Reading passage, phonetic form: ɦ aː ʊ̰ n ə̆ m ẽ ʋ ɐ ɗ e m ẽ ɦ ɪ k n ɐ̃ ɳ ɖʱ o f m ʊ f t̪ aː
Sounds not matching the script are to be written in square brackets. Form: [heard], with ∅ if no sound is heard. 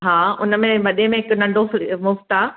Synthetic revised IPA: ɦ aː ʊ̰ n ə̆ m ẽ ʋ ɐ ɗ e m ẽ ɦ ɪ k n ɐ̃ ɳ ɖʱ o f m ʊ f t̪ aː